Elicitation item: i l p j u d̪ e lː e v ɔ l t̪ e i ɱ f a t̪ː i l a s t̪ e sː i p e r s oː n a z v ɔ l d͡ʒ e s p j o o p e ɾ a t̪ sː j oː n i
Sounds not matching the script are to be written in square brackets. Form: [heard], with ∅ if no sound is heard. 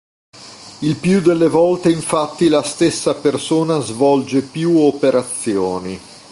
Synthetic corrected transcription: i l p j u d̪ e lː e v ɔ l t̪ e i ɱ f a t̪ː i l a s t̪ e sː [a] p e r s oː n a z v ɔ l d͡ʒ e [∅] p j [u] o p e ɾ a t̪ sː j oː n i